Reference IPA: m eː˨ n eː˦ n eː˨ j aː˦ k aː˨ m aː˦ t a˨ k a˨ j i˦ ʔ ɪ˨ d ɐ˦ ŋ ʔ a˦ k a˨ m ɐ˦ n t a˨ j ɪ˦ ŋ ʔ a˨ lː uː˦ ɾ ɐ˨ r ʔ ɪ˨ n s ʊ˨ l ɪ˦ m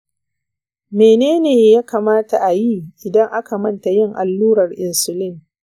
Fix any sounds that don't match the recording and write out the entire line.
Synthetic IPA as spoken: m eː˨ n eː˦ n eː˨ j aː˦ k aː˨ m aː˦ t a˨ ʔ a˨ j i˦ ʔ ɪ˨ d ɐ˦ ŋ ʔ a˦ k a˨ m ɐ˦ n t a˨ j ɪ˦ ŋ ʔ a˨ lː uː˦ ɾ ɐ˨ r ʔ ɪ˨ n s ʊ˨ l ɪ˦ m